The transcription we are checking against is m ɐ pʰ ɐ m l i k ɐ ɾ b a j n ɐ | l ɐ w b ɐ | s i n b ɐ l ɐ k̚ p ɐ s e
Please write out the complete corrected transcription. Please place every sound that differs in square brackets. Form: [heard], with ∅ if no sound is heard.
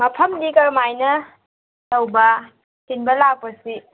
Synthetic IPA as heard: m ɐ pʰ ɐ m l i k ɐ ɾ [m] a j n ɐ | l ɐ w b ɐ | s i n b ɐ l [a] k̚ p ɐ s [i]